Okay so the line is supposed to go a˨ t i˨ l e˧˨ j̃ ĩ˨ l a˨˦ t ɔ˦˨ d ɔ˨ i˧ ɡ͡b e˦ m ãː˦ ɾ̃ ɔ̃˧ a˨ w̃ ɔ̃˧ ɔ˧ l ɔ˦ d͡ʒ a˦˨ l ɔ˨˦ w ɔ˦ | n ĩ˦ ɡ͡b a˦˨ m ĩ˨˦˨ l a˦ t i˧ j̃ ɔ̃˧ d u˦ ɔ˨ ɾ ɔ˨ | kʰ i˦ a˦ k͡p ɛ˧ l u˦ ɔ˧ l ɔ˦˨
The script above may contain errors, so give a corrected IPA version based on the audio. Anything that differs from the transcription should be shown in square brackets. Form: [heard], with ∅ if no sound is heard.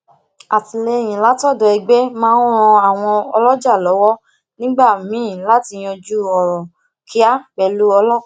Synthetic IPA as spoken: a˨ t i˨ l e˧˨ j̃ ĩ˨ l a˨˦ t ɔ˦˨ d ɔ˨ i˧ ɡ͡b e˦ m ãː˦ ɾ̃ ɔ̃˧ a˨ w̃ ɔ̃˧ ɔ˧ l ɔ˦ d͡ʒ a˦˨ l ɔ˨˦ w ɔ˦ | n ĩ˦ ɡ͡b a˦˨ m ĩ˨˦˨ l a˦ t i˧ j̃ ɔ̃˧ [d͡ʒ] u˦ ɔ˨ ɾ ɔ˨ | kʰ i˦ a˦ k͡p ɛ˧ l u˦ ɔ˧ l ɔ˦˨